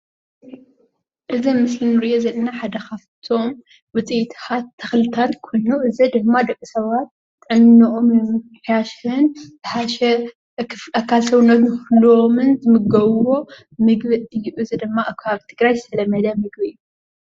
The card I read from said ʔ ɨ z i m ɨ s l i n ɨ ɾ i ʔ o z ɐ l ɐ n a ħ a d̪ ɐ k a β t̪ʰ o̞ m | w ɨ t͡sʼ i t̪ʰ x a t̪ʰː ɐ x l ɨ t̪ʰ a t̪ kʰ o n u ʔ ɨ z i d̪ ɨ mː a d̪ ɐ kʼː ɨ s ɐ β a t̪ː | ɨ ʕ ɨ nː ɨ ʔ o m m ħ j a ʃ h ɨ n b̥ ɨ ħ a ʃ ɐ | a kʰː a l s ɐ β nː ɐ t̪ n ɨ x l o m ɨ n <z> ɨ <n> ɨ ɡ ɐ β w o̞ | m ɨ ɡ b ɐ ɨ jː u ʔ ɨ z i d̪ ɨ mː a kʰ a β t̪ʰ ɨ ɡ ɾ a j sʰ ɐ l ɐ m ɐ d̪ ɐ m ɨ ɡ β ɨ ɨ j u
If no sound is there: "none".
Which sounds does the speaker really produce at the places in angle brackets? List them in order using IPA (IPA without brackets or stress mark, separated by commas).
z, m